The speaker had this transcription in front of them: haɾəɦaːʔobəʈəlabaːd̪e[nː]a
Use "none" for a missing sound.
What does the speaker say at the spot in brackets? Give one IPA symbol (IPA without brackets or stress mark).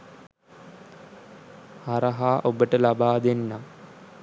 nː